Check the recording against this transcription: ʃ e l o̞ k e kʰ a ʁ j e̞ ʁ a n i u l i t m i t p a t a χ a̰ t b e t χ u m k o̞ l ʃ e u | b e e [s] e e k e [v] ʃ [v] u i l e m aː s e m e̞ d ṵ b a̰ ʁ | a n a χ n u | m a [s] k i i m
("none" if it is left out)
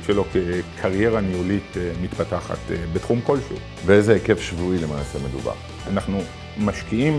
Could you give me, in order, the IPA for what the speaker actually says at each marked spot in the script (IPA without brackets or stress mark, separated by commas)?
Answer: z, f, v, ʃ